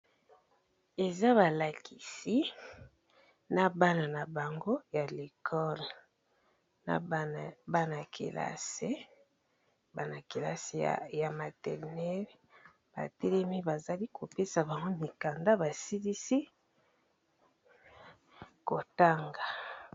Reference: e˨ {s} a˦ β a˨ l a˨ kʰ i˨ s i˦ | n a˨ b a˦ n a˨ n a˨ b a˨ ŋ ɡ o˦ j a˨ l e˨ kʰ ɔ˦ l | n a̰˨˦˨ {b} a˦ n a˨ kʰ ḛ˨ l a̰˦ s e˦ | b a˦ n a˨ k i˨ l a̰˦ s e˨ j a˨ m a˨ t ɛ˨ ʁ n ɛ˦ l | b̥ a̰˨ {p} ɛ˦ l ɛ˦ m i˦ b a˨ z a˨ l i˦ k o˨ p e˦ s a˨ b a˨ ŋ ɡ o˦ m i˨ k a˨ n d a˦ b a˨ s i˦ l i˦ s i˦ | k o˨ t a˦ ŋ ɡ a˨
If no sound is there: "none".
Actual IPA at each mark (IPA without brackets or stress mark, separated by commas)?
z, b, t